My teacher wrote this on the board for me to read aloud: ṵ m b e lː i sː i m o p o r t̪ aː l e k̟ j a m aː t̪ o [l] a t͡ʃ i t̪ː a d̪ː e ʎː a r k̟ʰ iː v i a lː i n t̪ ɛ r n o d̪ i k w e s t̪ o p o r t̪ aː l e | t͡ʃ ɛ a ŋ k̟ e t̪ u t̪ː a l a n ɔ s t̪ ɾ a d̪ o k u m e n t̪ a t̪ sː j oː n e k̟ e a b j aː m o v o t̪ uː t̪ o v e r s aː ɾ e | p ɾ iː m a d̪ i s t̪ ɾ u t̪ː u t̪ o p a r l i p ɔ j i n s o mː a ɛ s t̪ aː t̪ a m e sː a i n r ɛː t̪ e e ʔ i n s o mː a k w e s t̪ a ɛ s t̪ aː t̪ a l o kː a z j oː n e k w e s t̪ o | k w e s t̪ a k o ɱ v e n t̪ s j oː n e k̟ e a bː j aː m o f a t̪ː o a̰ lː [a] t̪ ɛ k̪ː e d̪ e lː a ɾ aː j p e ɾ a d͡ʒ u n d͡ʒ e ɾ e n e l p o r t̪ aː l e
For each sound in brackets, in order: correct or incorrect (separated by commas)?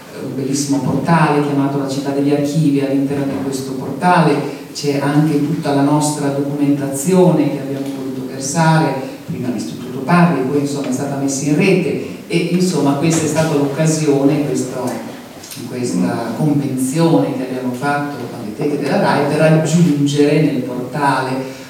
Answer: correct, incorrect